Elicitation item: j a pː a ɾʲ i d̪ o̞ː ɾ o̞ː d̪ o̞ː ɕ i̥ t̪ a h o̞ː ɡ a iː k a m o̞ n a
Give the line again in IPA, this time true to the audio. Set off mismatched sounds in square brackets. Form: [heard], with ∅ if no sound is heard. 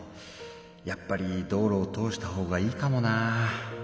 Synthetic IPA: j a pː a ɾʲ i d̪ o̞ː ɾ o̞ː [t̪] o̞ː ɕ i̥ t̪ a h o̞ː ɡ a iː k a m o̞ n a

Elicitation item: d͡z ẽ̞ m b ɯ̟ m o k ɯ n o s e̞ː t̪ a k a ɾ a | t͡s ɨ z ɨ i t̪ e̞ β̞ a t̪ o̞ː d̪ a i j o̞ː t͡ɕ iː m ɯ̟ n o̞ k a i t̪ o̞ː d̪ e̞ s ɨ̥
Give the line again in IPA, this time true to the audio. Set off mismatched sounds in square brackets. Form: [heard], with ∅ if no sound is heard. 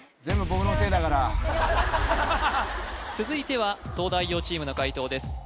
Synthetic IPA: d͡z ẽ̞ m b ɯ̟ [b] o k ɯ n o s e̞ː [d̪] a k a ɾ a | t͡s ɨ z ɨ i t̪ e̞ β̞ a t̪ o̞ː d̪ a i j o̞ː t͡ɕ iː m ɯ̟ n o̞ k a i t̪ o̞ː d̪ e̞ s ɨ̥

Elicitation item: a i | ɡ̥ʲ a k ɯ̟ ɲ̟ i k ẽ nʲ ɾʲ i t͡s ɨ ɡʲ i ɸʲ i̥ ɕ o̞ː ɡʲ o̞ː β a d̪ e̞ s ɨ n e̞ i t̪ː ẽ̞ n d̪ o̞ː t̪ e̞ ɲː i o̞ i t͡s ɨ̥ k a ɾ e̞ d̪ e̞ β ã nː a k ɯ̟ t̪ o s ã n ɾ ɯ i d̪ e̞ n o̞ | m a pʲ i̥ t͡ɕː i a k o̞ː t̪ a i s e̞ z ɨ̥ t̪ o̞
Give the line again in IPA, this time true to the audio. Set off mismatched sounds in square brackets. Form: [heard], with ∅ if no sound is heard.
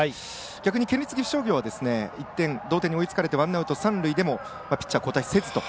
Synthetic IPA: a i | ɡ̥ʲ a k ɯ̟ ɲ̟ i k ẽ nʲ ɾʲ i t͡s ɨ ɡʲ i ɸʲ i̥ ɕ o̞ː ɡʲ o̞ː β a d̪ e̞ s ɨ n e̞ i t̪ː ẽ̞ n d̪ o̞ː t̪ e̞ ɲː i o̞ i t͡s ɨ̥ k a ɾ e̞ [t̪] e̞ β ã nː a [∅] ɯ̟ t̪ o s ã n ɾ ɯ i d̪ e̞ [m] o̞ | m a pʲ i̥ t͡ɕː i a k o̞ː t̪ a i s e̞ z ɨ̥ t̪ o̞

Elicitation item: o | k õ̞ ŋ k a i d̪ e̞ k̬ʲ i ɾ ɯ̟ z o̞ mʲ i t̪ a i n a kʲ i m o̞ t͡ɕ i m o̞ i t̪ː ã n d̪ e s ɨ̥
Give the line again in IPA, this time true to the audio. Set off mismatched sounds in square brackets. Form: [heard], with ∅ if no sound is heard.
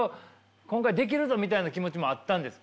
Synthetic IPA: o | k õ̞ ŋ k a i d̪ e̞ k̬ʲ i ɾ ɯ̟ z o̞ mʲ i t̪ a i n a kʲ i m o̞ t͡ɕ i m o̞ [a] t̪ː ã n d̪ e s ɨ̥

